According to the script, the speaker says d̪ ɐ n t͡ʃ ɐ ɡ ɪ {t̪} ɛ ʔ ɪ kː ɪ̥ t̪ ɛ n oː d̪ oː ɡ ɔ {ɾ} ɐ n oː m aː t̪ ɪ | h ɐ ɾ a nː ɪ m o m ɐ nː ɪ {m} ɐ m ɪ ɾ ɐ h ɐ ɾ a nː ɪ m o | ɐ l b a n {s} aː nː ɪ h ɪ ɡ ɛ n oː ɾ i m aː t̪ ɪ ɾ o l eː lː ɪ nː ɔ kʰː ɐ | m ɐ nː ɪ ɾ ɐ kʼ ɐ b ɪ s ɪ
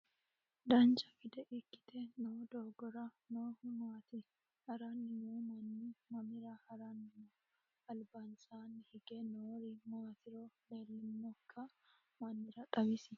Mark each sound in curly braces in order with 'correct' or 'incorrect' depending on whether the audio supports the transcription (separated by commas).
incorrect, correct, correct, correct